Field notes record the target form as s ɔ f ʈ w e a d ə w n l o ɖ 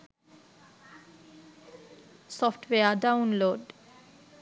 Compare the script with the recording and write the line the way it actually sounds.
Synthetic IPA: s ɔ f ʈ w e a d a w n l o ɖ